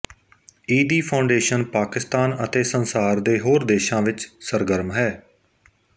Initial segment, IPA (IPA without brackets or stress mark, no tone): iː